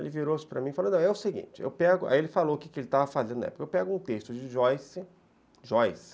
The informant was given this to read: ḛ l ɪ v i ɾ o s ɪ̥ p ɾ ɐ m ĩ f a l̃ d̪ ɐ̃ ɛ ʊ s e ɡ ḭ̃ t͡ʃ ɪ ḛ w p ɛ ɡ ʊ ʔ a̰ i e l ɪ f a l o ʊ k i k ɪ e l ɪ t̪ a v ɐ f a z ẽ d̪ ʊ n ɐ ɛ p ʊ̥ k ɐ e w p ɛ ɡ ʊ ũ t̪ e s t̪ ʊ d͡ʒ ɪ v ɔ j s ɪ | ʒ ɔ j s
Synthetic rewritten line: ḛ l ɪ v i ɾ o s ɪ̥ p ɾ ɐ m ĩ f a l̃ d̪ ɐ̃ ɛ ʊ s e ɡ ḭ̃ t͡ʃ ɪ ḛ w p ɛ ɡ ʊ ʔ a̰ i e l ɪ f a l o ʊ k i k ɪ e l ɪ t̪ a v ɐ f a z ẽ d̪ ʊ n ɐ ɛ p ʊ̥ k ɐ e w p ɛ ɡ ʊ ũ t̪ e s t̪ ʊ d͡ʒ ɪ ʒ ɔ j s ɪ | ʒ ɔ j s